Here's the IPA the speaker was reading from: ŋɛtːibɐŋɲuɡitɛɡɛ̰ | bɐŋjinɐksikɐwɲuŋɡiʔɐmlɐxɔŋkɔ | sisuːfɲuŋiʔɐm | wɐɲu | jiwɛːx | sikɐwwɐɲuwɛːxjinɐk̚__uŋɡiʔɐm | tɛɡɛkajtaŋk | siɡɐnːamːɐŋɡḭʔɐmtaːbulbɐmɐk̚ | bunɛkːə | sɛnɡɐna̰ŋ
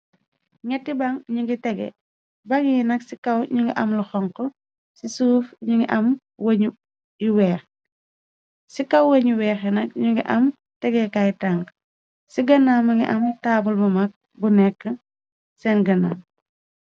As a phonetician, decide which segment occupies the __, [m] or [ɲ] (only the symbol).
ɲ